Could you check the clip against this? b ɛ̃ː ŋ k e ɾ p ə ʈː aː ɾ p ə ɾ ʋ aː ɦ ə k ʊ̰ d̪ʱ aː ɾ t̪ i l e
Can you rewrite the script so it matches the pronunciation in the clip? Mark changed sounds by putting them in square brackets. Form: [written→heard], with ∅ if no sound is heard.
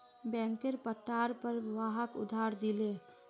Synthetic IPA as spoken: b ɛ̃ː ŋ k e ɾ p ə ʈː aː ɾ p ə ɾ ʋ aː ɦ ə k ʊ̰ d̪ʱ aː ɾ [t̪→d̪] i l e